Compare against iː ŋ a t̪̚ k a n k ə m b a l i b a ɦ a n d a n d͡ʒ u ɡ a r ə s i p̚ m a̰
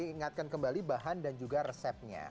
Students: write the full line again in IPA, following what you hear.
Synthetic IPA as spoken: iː ŋ a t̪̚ k a n k ə m b a l i b a ɦ a n d a n d͡ʒ u ɡ a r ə s ɛ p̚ ɲ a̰